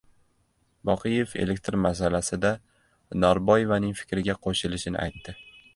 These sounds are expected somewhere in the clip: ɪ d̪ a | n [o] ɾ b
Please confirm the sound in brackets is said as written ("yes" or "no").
no